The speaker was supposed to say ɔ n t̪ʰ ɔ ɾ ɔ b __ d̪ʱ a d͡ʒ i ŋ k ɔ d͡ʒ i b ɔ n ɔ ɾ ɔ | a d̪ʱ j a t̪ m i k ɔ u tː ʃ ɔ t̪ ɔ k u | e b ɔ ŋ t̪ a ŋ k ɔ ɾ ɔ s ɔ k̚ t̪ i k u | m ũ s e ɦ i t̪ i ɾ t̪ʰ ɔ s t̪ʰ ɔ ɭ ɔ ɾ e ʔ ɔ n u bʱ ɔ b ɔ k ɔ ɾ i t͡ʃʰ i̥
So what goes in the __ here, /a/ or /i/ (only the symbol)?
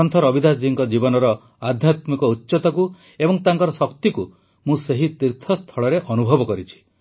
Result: i